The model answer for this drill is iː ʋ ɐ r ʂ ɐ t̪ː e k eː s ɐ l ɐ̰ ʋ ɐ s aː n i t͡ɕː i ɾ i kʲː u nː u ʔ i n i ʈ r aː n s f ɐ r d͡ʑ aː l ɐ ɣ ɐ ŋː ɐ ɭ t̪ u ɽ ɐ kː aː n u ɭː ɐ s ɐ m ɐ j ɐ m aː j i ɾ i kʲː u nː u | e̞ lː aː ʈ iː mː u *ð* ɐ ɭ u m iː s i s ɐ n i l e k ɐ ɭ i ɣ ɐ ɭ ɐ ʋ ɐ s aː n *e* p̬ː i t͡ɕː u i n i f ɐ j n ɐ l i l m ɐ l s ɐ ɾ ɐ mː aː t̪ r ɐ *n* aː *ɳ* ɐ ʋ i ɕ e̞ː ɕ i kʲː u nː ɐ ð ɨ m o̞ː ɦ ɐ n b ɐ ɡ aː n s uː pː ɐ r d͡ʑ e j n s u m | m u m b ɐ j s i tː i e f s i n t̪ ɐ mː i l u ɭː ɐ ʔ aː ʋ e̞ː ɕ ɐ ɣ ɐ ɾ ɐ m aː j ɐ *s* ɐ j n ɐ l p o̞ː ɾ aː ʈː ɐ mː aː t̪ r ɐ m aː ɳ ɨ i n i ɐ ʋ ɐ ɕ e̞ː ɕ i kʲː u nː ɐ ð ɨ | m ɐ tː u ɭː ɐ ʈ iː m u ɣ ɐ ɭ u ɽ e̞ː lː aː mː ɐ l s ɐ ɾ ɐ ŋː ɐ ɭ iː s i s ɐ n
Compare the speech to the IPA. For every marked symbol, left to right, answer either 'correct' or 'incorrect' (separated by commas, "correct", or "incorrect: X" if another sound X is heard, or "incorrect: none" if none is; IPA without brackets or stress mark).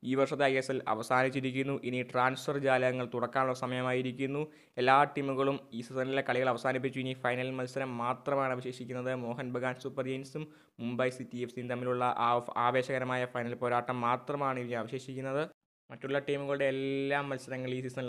incorrect: ɣ, incorrect: i, incorrect: m, correct, incorrect: f